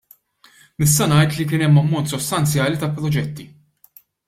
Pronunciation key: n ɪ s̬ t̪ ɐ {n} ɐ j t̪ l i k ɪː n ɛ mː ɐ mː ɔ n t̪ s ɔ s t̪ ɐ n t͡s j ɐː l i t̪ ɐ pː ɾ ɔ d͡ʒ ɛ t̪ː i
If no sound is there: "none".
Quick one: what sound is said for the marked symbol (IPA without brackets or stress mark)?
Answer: n